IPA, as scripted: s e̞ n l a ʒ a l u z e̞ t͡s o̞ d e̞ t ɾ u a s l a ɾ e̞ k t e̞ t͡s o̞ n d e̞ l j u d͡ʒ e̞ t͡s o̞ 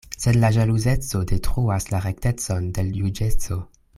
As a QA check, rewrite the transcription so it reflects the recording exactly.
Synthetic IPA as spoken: s e̞ d l a ʒ a l u z e̞ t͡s o̞ d e̞ t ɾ u a s l a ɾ e̞ k t e̞ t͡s o̞ n d e̞ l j u d͡ʒ e̞ t͡s o̞